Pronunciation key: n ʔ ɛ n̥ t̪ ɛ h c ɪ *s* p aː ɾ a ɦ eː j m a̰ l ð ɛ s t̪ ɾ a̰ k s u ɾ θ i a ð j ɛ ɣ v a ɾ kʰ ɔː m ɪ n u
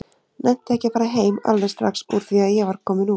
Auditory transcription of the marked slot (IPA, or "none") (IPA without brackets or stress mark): none